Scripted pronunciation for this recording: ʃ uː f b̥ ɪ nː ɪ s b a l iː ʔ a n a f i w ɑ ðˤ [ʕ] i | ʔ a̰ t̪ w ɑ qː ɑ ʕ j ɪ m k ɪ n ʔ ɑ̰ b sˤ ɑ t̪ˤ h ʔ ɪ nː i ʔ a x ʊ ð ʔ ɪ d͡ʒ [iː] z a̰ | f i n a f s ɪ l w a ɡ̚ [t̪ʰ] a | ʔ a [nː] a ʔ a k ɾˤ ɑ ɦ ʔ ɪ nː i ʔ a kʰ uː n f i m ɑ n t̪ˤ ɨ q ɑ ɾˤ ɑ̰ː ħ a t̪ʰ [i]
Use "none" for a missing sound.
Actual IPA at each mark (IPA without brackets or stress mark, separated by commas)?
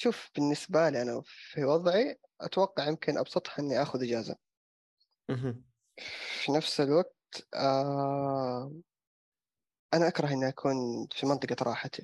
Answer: ʕ, aː, t̪, n, i